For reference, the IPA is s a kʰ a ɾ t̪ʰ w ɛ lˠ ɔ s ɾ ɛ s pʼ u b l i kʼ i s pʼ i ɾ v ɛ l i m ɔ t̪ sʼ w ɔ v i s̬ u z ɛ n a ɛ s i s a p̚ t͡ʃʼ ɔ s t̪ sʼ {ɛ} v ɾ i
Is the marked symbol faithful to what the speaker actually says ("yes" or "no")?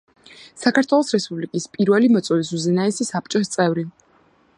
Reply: yes